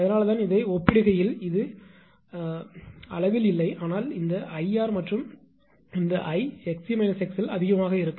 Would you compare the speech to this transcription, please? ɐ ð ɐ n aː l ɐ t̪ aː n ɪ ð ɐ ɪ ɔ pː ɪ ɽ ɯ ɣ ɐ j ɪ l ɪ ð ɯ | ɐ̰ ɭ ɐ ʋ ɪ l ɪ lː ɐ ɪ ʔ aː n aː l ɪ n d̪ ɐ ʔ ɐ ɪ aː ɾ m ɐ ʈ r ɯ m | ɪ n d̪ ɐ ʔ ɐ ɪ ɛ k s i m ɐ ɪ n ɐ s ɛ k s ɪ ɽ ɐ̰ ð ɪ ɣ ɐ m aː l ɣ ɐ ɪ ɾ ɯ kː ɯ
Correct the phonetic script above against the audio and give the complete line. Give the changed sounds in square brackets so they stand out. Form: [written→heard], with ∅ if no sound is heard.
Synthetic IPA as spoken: ɐ ð ɐ n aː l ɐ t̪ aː n ɪ ð ɐ ɪ ɔ pː ɪ ɽ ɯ ɣ ɐ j ɪ l ɪ ð ɯ | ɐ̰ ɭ ɐ ʋ ɪ l ɪ lː ɐ ɪ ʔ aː n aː l ɪ n d̪ ɐ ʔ ɐ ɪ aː ɾ m ɐ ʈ r ɯ m | ɪ n d̪ ɐ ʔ ɐ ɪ ɛ k s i m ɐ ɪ n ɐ s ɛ k s ɪ [ɽ→l] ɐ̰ ð ɪ ɣ ɐ m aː [l→∅] ɣ ɐ ɪ ɾ ɯ kː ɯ